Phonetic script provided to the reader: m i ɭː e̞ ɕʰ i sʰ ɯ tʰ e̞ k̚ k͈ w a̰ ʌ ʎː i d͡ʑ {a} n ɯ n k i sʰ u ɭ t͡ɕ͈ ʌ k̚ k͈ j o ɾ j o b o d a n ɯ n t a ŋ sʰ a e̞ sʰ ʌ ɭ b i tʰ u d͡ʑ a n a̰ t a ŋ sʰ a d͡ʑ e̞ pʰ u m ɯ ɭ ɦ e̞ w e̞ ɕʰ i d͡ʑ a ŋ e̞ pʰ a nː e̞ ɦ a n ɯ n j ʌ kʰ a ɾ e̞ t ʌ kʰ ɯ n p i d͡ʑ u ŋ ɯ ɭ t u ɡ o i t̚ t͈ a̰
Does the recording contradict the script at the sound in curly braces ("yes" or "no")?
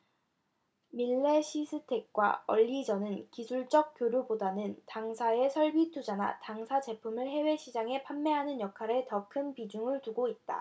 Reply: yes